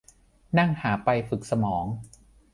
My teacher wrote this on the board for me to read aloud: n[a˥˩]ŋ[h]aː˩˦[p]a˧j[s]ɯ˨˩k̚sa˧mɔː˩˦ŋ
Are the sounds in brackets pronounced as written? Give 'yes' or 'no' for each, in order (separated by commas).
yes, yes, yes, no